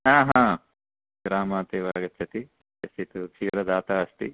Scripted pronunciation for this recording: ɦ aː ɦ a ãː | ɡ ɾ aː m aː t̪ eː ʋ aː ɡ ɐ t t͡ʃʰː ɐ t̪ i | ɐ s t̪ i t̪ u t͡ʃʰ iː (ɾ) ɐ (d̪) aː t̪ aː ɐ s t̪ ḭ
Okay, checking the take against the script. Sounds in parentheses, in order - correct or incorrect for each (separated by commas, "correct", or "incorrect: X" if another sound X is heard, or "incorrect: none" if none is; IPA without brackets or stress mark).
correct, correct